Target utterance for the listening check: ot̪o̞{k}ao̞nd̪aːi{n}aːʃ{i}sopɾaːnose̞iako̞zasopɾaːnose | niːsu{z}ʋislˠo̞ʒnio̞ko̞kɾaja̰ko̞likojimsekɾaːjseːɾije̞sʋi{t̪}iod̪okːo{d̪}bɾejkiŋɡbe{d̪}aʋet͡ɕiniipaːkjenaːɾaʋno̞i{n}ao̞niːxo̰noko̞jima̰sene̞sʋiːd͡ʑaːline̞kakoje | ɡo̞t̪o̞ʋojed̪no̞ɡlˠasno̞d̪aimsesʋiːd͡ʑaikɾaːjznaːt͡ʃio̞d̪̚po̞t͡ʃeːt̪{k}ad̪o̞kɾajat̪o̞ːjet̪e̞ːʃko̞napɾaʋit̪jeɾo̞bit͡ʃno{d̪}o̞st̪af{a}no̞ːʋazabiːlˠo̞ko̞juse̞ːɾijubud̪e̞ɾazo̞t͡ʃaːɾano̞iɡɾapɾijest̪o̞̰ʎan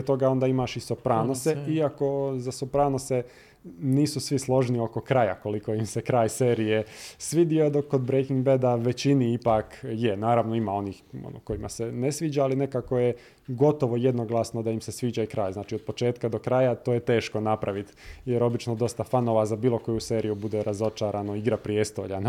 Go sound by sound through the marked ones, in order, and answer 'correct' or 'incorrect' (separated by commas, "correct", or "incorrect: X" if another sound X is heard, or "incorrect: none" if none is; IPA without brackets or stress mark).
incorrect: ɡ, incorrect: m, correct, incorrect: s, incorrect: d̪, correct, correct, incorrect: m, correct, correct, correct